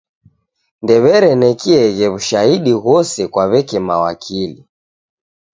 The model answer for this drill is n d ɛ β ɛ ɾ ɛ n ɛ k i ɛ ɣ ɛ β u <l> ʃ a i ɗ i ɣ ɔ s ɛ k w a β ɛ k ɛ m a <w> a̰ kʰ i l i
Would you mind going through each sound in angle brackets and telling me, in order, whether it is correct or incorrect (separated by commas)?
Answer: incorrect, correct